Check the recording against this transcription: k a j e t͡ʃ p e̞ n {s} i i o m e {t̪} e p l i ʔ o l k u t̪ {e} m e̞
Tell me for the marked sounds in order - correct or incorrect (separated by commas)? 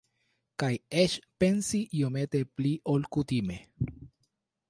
correct, correct, incorrect